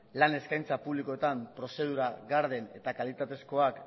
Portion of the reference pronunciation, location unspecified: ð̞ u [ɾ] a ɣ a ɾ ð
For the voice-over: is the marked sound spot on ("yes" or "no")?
yes